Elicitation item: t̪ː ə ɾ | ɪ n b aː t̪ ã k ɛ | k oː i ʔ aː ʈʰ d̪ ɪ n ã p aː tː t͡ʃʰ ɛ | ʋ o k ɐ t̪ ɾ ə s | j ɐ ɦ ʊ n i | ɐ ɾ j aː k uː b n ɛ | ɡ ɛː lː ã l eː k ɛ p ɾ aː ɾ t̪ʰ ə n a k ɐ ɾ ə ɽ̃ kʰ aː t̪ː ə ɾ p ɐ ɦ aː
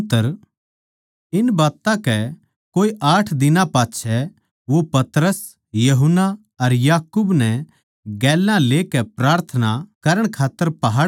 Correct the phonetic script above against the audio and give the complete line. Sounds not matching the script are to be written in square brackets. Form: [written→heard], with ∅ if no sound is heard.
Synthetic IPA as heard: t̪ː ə ɾ | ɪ n b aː t̪ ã k ɛ | k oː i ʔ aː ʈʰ d̪ ɪ n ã p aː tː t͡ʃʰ ɛ | ʋ o [k→p] ɐ t̪ ɾ ə s | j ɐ ɦ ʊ n [i→a] | ɐ ɾ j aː k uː b n ɛ | ɡ ɛː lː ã l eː k ɛ p ɾ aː ɾ t̪ʰ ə n a k ɐ ɾ ə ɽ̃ kʰ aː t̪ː ə ɾ p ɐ ɦ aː